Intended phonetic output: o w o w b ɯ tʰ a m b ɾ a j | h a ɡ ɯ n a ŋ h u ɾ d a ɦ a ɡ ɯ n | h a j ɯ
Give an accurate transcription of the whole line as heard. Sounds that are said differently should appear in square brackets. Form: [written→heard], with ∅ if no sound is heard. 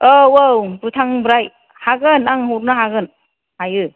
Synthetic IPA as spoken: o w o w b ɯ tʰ a [m→ŋ] b ɾ a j | h a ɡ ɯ n a ŋ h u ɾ [d→n] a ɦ a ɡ ɯ n | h a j ɯ